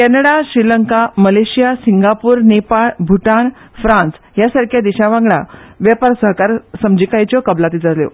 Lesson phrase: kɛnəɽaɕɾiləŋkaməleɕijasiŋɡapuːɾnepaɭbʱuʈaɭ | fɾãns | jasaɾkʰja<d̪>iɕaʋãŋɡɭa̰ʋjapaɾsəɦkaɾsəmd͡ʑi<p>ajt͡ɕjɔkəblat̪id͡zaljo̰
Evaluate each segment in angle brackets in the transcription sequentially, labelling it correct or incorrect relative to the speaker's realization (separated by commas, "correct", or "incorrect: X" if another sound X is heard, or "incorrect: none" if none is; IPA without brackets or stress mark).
correct, incorrect: k